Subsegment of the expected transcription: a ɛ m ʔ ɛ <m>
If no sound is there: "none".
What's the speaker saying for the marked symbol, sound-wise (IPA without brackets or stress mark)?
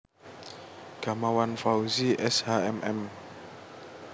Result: m